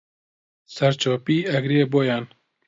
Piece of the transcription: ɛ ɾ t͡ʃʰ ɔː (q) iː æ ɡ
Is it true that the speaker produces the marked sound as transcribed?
no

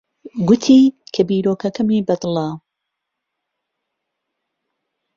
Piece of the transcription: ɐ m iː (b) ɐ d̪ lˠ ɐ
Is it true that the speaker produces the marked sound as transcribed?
yes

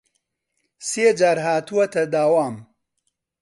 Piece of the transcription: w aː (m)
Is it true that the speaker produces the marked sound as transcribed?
yes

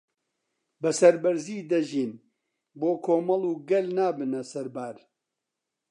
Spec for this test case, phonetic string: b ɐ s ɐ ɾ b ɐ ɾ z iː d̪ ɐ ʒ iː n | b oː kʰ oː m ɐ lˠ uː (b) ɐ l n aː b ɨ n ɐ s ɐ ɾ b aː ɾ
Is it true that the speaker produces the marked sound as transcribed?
no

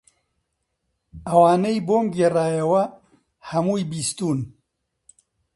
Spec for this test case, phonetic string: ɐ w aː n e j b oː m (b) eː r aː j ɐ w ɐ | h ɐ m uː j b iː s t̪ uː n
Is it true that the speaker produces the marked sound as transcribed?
no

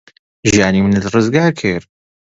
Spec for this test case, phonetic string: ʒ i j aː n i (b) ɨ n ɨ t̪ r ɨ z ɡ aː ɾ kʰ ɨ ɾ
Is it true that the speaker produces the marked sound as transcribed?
no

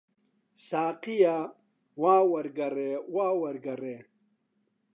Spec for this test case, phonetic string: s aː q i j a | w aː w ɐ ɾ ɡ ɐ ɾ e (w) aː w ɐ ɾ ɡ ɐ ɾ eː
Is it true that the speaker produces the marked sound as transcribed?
yes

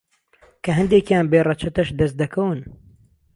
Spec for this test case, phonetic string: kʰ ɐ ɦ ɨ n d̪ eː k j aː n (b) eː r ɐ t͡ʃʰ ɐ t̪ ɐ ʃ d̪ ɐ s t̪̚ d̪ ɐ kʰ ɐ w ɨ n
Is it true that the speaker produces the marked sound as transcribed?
yes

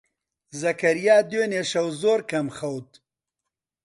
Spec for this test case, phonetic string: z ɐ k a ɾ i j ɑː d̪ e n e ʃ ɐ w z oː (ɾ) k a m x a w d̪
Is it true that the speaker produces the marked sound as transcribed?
yes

